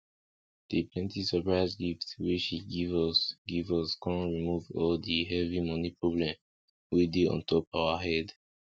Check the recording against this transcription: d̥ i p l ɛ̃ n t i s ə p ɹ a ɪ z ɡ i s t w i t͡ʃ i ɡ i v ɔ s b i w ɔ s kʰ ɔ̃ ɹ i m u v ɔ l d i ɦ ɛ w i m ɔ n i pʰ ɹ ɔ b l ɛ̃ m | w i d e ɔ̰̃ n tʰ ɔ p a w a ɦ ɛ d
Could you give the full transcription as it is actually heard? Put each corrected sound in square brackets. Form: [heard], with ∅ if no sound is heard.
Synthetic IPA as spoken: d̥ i p l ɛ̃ n t i s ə p ɹ a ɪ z ɡ i [f] t w i t͡ʃ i ɡ i v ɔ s [ɡ] i [v] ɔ s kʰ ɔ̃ ɹ i m u v ɔ l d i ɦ ɛ [v] i m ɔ n i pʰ ɹ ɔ b l ɛ̃ m | w i d e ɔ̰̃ n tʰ ɔ p a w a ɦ ɛ d